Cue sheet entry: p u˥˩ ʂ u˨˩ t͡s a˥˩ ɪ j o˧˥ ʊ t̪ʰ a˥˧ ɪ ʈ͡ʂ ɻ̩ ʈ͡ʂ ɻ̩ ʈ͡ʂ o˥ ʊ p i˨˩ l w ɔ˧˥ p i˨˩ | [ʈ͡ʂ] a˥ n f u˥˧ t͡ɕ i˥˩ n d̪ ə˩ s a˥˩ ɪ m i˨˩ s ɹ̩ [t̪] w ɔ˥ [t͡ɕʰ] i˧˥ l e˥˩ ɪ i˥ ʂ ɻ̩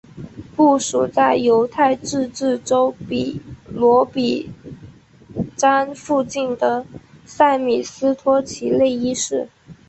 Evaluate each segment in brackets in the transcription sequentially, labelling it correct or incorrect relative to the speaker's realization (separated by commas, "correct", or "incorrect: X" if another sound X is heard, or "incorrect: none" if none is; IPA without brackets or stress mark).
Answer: correct, incorrect: t̪ʰ, correct